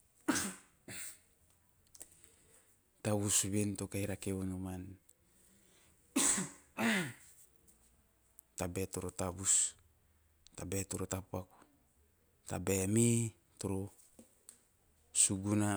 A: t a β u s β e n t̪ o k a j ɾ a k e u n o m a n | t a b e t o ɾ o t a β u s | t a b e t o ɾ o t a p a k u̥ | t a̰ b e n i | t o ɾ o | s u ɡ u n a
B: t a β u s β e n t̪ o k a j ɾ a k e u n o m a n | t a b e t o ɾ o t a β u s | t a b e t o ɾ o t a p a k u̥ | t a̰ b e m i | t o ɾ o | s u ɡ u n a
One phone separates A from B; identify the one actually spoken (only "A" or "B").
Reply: B